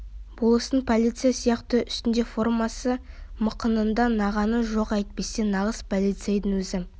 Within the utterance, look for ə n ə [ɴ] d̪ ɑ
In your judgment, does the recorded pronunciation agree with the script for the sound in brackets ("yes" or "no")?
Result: no